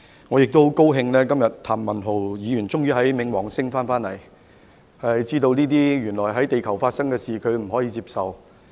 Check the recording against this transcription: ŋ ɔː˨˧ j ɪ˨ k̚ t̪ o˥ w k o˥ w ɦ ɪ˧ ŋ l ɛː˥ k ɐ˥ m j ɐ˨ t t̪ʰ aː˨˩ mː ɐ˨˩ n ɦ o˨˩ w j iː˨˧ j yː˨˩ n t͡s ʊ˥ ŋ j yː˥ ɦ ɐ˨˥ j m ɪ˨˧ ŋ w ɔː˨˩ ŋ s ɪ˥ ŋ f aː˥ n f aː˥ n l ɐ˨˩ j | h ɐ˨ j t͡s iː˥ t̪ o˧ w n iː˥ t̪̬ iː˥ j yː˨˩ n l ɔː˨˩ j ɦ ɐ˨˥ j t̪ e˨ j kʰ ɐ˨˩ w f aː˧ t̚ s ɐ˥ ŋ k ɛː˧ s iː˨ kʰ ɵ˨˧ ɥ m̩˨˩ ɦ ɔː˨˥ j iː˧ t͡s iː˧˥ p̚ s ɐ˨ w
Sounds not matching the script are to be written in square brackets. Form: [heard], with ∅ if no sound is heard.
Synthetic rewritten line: ŋ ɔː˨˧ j ɪ˨ k̚ t̪ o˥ w k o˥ w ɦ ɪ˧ ŋ l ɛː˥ k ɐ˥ m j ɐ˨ t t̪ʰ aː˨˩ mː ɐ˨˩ n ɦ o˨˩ w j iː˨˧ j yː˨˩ n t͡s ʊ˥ ŋ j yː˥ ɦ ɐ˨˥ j m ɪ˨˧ ŋ w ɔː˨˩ ŋ s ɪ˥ ŋ f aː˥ n f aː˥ n l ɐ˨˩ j | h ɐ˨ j t͡s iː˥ t̪ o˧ w n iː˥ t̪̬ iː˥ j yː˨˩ n l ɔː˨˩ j ɦ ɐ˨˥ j t̪ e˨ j kʰ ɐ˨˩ w f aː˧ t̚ s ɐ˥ ŋ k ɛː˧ s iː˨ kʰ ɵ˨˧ ɥ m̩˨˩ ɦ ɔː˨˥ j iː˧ t͡s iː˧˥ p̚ s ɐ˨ w